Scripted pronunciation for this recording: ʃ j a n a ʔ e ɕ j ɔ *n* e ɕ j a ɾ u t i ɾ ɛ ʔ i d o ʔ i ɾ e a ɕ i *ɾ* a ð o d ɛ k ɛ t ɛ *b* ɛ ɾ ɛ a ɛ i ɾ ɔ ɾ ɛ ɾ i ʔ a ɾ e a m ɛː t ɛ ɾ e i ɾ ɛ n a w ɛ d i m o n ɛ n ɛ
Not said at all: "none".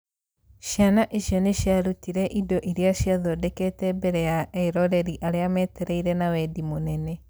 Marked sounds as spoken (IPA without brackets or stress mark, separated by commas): n, none, b